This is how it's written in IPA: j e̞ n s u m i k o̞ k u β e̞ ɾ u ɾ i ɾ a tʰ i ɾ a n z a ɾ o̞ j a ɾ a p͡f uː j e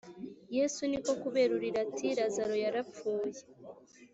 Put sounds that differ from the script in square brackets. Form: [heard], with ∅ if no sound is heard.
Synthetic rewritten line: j e̞ [∅] s u [n] i k o̞ k u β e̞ ɾ u ɾ i ɾ a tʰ i ɾ a [∅] z a ɾ o̞ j a ɾ a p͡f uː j e